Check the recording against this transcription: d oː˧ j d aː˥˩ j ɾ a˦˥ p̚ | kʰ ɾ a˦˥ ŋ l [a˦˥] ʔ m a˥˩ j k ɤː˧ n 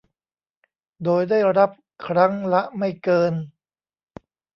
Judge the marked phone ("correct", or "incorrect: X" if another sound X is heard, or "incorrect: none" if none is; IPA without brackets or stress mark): correct